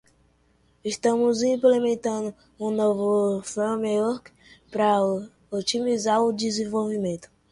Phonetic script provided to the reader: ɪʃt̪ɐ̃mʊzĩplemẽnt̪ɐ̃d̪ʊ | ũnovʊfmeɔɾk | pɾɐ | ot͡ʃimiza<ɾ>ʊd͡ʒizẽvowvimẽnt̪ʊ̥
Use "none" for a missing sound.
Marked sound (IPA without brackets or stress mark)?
ɾ